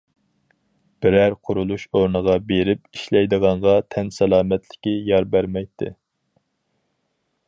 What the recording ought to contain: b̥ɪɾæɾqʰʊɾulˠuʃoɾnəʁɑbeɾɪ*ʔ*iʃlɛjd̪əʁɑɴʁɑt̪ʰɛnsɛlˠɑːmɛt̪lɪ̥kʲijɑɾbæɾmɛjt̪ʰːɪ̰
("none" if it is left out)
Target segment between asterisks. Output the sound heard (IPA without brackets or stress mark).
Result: p